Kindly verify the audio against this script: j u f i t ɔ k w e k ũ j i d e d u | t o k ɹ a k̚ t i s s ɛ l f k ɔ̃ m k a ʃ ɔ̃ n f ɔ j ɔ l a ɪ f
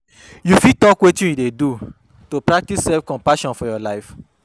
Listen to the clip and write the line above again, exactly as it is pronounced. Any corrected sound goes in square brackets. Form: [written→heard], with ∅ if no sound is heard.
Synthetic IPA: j u f i t ɔ k w e [k→t] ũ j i d e d u | t o [k→p] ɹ a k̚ t i s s ɛ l f k ɔ̃ m [k→p] a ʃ ɔ̃ n f ɔ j ɔ l a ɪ f